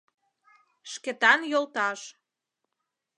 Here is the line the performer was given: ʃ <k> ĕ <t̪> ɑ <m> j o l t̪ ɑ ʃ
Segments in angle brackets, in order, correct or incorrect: correct, correct, incorrect: n

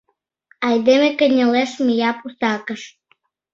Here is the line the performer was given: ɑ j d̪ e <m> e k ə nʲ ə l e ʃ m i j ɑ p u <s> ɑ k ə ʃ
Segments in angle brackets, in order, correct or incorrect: correct, correct

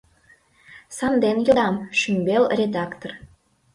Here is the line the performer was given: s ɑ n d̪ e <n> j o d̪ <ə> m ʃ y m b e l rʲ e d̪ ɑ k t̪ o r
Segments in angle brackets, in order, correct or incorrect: correct, incorrect: ɑ

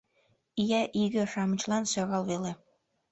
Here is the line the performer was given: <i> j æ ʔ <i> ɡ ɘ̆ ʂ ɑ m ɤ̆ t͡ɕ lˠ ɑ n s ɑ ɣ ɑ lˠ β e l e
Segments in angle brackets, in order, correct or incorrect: correct, correct

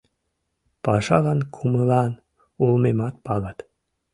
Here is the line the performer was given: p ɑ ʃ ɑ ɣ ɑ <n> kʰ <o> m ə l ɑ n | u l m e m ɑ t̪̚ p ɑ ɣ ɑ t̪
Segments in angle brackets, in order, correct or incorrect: correct, incorrect: u

